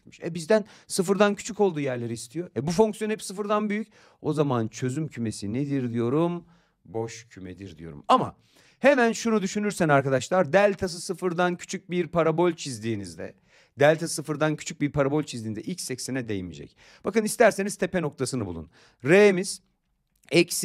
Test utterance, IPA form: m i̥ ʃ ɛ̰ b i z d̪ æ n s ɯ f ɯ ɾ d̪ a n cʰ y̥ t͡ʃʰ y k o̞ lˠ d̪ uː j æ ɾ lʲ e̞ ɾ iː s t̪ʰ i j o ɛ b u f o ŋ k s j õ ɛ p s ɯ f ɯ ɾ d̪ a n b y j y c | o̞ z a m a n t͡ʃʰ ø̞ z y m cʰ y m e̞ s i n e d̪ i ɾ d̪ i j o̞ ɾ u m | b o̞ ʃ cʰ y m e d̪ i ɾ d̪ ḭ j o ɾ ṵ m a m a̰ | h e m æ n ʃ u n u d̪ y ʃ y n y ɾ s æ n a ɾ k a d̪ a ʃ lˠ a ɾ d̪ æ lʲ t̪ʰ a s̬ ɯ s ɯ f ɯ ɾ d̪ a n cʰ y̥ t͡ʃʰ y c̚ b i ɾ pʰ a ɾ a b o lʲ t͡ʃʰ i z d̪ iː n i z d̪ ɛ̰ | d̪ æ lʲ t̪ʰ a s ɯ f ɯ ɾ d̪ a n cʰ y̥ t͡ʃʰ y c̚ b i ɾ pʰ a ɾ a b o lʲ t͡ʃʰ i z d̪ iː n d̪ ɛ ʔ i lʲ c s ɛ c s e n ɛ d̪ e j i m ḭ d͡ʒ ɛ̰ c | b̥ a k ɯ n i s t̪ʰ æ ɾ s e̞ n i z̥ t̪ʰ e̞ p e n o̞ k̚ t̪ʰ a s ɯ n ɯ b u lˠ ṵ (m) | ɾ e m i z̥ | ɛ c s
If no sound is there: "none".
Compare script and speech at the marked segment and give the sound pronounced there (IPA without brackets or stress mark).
n